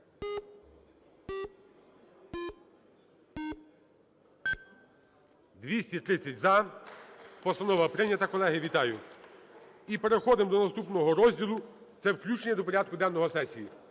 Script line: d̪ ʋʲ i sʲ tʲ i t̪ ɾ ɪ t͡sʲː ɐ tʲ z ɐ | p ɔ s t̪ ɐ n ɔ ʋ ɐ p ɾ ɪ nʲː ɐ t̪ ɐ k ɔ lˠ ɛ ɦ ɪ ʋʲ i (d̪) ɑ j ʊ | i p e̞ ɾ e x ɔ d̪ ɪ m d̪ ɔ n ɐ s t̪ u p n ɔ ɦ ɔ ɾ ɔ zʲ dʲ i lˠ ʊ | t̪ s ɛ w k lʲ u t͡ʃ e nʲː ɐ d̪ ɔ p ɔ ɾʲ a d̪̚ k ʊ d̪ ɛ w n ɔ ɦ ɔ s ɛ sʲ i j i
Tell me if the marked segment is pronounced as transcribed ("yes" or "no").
no